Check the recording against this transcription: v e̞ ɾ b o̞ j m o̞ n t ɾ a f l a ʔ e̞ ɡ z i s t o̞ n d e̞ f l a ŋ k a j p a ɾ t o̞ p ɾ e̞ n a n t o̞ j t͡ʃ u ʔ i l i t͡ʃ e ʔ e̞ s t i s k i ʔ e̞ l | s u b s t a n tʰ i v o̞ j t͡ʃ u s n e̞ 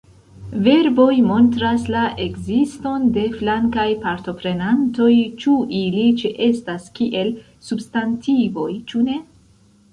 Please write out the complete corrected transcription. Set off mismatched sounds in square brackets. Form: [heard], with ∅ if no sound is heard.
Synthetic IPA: v e̞ ɾ b o̞ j m o̞ n t ɾ a [s] l a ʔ e̞ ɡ z i s t o̞ n d e̞ f l a ŋ k a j p a ɾ t o̞ p ɾ e̞ n a n t o̞ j t͡ʃ u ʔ i l i t͡ʃ e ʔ e̞ s t [a] s k i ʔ e̞ l | s u b s t a n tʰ i v o̞ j t͡ʃ u [∅] n e̞